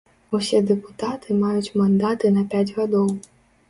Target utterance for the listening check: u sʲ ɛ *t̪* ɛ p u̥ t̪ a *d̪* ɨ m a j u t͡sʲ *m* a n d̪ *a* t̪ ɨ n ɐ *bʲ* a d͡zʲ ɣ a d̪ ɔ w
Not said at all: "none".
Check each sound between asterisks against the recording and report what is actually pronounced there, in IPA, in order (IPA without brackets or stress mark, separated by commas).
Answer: d̪, t̪, m, a, pʲ